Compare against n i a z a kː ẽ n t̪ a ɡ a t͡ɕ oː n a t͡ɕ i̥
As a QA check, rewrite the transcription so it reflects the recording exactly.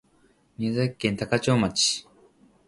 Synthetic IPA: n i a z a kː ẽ n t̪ a k a t͡ɕ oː m a t͡ɕ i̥